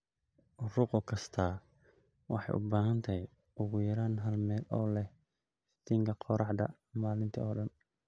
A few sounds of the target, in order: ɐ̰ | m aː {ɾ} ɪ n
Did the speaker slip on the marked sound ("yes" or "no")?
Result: yes